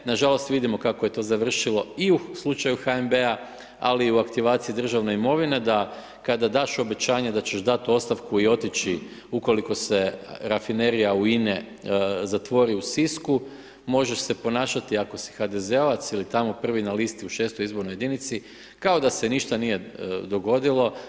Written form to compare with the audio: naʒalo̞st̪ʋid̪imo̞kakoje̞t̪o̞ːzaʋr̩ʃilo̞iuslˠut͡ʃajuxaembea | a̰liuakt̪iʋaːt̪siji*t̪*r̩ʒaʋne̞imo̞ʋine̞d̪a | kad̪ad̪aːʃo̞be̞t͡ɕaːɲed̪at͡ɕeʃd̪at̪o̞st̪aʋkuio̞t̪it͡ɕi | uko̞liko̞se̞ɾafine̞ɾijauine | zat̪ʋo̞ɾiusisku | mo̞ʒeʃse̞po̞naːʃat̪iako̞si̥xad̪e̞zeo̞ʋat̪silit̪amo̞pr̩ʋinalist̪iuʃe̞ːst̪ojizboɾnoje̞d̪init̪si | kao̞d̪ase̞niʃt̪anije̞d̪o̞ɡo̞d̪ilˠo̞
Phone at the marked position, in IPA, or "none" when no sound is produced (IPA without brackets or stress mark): d̪